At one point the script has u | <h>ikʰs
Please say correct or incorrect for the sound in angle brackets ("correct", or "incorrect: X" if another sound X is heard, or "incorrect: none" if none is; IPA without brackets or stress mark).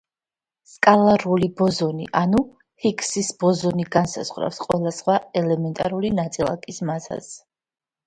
correct